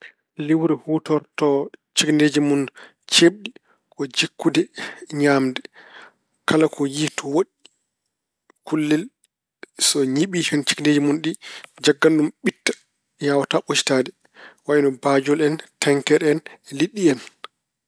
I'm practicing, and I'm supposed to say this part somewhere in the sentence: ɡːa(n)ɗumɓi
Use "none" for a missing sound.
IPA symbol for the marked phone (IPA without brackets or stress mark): n